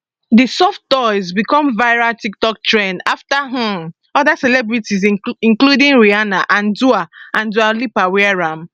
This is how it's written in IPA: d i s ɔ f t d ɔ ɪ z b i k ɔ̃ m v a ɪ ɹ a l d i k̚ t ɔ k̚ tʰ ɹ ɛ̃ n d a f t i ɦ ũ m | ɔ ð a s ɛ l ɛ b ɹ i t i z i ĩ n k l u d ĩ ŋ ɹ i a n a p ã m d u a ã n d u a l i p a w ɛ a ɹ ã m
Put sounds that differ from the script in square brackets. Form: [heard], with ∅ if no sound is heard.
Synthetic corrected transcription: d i s ɔ f t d ɔ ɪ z b i k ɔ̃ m v a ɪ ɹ a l [t] i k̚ t ɔ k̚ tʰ ɹ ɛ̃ n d a f t [a] ɦ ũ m | ɔ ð a s ɛ l ɛ b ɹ i t i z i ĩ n k l u d ĩ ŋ ɹ i a n a [ʔ] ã [n] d u a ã n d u a l i p a w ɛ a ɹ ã m